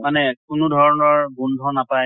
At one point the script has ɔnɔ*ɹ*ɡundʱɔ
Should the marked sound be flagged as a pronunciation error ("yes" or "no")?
no